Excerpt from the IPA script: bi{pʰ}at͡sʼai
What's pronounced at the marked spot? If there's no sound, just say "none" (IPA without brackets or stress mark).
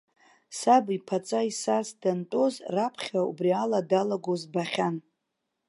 pʰ